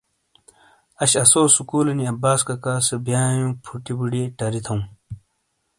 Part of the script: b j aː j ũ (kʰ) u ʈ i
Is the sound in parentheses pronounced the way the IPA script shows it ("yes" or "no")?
no